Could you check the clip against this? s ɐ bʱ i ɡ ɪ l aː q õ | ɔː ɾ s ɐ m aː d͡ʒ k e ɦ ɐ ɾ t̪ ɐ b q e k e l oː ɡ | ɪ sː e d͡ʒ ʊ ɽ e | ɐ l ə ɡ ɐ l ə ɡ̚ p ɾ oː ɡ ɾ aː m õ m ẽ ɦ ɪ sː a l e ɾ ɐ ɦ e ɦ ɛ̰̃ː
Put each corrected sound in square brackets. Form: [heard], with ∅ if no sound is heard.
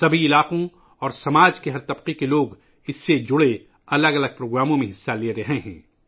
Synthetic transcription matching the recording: s ɐ bʱ i [∅] ɪ l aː q õ | ɔː ɾ s ɐ m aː d͡ʒ k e ɦ ɐ ɾ t̪ ɐ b q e k e l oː ɡ | ɪ sː e d͡ʒ ʊ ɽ e | ɐ l ə ɡ ɐ l ə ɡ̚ p ɾ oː ɡ ɾ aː m õ m ẽ ɦ ɪ sː a l e ɾ ɐ ɦ e ɦ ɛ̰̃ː